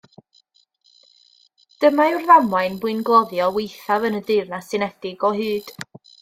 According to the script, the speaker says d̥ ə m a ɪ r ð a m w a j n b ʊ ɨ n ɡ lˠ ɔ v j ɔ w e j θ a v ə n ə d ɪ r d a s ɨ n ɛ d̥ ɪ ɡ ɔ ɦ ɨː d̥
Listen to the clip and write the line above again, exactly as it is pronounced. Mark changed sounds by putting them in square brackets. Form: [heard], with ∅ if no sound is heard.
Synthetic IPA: d̥ ə m a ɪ r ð a m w a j n b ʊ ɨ n ɡ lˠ ɔ [ð] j ɔ w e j θ a v ə n ə d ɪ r [n] a s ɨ n ɛ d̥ ɪ ɡ ɔ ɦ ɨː d̥